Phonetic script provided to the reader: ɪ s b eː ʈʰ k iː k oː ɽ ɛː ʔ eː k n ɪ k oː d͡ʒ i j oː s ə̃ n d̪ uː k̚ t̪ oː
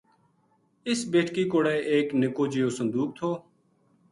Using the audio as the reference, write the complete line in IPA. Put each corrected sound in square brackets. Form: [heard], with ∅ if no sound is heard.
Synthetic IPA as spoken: ɪ s b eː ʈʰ k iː k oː ɽ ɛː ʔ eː k n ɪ k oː d͡ʒ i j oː s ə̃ n d̪ uː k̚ [t̪ʰ] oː